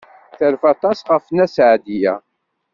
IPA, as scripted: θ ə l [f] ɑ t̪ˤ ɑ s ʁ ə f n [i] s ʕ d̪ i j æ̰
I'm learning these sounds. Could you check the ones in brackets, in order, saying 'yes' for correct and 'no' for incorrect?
yes, no

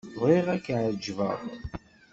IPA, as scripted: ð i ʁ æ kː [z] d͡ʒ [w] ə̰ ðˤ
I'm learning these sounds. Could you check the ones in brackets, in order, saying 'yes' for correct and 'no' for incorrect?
no, no

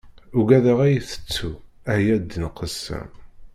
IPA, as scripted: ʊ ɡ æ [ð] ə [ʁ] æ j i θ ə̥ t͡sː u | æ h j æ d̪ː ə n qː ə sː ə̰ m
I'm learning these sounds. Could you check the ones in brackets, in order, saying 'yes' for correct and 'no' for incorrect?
yes, yes

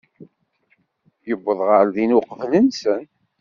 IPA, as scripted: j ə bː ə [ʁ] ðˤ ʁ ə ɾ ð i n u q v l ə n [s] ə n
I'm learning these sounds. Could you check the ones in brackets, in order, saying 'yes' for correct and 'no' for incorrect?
no, yes

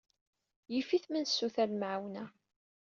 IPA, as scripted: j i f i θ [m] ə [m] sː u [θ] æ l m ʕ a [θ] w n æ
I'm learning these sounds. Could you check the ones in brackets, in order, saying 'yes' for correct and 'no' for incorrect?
yes, no, yes, no

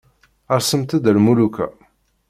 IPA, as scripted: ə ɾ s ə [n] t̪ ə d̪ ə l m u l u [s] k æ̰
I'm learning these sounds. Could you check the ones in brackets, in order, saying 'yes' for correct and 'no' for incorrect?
no, no

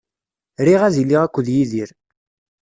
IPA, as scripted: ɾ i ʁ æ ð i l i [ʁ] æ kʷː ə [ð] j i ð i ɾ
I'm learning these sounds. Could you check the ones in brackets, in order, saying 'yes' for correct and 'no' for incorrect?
yes, yes

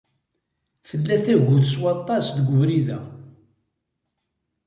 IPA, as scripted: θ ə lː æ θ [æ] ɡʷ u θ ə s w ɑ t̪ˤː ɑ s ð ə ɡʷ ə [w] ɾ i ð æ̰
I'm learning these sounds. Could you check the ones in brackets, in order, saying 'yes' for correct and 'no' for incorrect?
yes, no

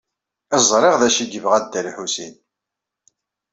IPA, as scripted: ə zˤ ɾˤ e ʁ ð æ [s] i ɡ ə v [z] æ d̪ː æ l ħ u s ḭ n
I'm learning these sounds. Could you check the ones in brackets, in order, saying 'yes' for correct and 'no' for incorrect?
no, no

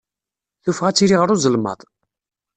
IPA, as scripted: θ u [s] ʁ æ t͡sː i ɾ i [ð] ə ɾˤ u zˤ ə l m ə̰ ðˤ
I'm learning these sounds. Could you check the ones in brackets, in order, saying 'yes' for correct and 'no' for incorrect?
no, no

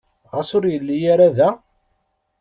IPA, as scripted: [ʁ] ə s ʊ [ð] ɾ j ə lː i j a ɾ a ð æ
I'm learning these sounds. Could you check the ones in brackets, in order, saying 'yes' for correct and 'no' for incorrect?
yes, no

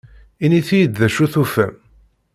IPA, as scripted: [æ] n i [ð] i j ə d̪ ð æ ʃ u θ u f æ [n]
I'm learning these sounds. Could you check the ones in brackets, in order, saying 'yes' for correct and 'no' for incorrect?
no, no, no

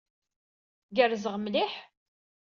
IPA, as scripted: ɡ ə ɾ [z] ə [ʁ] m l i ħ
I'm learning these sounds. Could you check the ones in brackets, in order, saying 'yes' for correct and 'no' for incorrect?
yes, yes

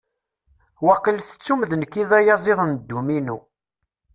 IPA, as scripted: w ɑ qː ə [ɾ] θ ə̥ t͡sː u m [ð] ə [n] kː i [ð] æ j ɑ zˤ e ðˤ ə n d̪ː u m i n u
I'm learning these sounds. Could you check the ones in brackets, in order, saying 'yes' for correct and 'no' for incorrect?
no, yes, yes, yes

